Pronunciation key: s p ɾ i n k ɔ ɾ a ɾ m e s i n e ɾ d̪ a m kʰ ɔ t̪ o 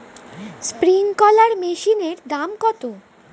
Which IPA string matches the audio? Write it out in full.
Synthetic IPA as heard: s p ɾ i ŋ k ɔ l a ɾ m e ʃ i n e ɾ d̪ a m k ɔ t̪ o